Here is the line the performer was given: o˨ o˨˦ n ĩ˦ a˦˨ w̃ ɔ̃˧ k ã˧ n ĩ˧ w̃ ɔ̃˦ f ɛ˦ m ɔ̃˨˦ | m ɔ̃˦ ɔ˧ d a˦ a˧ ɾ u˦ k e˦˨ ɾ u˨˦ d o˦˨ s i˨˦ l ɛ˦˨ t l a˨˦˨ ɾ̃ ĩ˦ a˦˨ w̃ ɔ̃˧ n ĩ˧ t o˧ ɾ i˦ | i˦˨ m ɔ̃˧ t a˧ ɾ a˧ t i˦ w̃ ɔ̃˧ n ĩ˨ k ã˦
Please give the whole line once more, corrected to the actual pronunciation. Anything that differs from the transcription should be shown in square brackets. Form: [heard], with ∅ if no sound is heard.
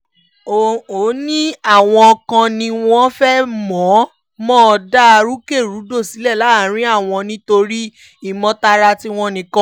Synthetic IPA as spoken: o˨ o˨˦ n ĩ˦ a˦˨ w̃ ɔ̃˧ k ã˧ n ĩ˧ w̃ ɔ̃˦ f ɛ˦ m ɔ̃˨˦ | m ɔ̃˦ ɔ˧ d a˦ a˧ ɾ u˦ k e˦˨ ɾ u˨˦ d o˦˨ s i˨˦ l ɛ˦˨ [∅] l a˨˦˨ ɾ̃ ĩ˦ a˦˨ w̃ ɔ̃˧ n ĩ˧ t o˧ ɾ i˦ | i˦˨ m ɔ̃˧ t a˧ ɾ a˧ t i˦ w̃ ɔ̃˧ n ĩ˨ k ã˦

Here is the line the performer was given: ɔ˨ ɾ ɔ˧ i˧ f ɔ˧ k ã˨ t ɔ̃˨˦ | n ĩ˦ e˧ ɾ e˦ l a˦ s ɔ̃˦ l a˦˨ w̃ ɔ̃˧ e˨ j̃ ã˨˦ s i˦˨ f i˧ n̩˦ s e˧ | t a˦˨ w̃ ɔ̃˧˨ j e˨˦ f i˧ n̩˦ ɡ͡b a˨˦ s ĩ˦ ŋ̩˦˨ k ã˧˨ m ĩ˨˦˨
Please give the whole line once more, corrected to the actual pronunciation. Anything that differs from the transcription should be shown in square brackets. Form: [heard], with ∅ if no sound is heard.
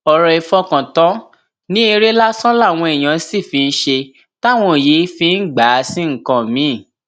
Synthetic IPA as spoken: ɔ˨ ɾ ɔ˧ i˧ f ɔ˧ k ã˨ t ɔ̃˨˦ | n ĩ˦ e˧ ɾ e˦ l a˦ s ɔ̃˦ l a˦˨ w̃ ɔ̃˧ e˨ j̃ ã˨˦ s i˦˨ f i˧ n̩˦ [ʃ] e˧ | t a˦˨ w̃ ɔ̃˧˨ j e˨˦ f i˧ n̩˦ ɡ͡b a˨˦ s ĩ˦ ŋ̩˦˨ k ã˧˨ m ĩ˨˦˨

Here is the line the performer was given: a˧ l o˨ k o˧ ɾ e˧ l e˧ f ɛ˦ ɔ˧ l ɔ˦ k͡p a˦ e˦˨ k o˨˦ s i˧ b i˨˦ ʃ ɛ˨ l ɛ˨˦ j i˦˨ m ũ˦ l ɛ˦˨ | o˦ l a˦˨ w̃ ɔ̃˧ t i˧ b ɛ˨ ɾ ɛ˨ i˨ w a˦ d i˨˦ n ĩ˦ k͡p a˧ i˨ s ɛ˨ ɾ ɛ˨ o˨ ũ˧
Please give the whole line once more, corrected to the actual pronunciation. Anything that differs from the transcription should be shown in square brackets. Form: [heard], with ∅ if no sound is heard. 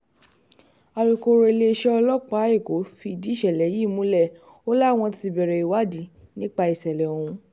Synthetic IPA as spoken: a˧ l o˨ k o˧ ɾ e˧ l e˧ [ʃ] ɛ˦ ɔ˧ l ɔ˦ k͡p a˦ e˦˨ k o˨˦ [f] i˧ [d] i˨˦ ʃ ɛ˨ l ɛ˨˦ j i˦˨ m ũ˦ l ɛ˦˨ | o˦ l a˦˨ w̃ ɔ̃˧ t i˧ b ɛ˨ ɾ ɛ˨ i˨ w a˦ d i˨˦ n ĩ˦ k͡p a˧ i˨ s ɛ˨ [l] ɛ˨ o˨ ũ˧

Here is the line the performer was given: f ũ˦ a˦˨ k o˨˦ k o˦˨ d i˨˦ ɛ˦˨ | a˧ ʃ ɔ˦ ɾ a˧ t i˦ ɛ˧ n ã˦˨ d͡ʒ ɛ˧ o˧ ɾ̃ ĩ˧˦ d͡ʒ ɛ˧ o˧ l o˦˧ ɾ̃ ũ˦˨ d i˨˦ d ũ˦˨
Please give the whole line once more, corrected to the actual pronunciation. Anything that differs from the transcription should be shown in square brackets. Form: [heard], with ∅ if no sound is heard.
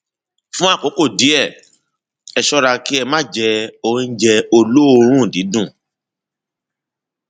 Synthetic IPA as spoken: f ũ˦ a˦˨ k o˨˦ k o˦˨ d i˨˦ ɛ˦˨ | [ɛ˧] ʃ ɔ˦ ɾ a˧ [k] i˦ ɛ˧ [m] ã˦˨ d͡ʒ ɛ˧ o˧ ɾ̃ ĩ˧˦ d͡ʒ ɛ˧ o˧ l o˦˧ ɾ̃ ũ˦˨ d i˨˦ d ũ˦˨

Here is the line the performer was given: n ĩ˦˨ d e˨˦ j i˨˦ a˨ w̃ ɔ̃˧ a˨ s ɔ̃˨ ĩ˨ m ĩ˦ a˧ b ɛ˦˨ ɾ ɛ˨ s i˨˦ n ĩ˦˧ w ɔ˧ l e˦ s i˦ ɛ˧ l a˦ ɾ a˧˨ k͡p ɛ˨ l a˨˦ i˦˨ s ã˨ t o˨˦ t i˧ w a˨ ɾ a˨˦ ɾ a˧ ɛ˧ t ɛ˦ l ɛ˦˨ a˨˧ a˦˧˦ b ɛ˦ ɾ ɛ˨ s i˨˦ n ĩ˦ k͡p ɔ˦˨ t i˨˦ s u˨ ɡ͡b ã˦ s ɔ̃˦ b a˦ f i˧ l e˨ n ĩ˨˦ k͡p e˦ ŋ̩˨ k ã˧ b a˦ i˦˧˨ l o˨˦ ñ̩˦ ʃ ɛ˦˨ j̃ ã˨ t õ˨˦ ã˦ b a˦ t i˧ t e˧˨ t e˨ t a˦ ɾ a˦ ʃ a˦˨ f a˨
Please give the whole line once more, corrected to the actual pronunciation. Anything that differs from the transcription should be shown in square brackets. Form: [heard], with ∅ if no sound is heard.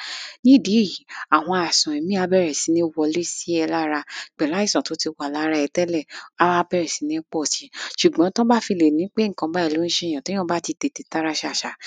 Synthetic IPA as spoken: n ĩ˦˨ d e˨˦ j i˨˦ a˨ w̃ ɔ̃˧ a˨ s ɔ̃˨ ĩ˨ m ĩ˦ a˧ b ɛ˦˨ ɾ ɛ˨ s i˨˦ n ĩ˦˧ w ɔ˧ l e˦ s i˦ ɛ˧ l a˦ ɾ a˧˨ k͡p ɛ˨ l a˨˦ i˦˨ s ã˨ t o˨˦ t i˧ w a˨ [l] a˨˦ ɾ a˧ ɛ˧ t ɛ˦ l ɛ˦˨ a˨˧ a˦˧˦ b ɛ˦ ɾ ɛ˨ s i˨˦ n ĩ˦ k͡p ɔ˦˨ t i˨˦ [ʃ] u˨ ɡ͡b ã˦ [t] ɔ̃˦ b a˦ f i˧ l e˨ n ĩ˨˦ k͡p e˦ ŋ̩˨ k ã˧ b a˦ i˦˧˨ l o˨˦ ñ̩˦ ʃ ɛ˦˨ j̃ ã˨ t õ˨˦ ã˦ b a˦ t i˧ t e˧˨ t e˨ t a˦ ɾ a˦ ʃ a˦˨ [ʃ] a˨

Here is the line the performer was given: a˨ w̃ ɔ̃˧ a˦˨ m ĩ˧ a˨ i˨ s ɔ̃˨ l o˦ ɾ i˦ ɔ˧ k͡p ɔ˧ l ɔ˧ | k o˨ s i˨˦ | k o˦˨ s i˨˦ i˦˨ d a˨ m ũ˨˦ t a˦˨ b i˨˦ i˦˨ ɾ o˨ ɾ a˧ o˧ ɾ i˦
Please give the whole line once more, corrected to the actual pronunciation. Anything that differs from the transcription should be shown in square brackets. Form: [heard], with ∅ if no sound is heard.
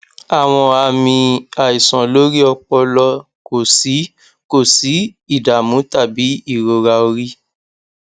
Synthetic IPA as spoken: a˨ w̃ ɔ̃˧ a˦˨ m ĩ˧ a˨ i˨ s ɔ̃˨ l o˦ ɾ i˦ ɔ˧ k͡p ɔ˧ l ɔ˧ | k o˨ s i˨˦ | k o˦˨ s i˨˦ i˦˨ d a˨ m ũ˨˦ t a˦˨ b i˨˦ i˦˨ ɾ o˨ ɾ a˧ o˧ ɾ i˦

